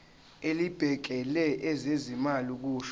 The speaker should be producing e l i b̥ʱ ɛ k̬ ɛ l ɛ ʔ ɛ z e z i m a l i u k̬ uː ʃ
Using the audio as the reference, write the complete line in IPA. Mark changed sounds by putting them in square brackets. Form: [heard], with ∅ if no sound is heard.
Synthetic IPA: e l i b̥ʱ ɛ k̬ ɛ l ɛ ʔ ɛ z e z i m a l i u k̬ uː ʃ